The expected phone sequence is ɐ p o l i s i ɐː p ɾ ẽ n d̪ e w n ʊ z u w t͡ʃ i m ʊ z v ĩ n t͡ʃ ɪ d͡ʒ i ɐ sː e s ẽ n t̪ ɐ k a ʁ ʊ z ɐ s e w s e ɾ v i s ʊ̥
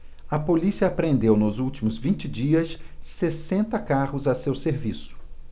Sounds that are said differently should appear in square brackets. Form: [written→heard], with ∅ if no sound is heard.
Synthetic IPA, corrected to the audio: ɐ p o l i s i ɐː p ɾ ẽ n d̪ e w n ʊ z u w t͡ʃ i m ʊ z v ĩ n t͡ʃ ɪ d͡ʒ i ɐ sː e s ẽ n t̪ ɐ k a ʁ ʊ z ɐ s e w s e ɾ v i s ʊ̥